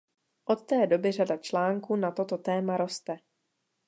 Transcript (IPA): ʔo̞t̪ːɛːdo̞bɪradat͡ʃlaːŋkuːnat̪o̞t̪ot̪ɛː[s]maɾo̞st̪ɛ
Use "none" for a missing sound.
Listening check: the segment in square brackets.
none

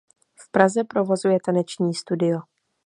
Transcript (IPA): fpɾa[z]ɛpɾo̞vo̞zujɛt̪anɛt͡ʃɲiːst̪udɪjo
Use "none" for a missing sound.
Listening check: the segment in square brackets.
z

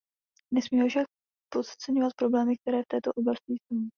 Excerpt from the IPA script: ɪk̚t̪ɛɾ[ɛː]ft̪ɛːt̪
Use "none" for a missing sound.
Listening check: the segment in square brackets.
ɛː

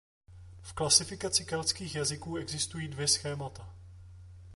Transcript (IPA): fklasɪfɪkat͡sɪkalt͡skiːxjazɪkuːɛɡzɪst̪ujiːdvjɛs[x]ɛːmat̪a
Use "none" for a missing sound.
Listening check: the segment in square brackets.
x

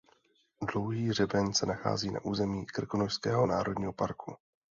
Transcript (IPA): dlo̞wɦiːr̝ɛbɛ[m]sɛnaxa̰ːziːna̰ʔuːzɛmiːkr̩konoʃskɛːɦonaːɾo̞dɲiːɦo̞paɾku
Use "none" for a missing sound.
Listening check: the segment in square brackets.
ɲ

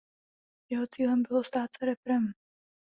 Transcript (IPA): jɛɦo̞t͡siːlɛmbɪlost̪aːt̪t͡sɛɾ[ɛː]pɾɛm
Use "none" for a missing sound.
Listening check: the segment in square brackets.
ɛ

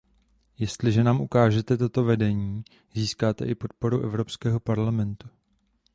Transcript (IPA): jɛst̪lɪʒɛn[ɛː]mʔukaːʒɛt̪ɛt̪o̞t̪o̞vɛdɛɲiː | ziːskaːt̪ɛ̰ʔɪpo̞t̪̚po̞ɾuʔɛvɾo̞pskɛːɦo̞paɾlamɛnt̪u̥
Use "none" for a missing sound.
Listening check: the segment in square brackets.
aː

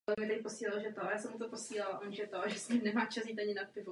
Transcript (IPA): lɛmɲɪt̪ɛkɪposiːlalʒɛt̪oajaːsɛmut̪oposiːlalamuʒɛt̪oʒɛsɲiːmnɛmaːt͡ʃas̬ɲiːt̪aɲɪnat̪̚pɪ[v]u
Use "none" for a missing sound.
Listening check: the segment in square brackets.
v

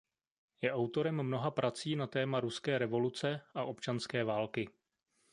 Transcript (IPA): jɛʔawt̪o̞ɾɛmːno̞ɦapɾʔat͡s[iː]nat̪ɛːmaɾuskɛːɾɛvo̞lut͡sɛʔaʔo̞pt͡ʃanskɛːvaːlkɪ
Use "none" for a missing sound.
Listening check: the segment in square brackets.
iː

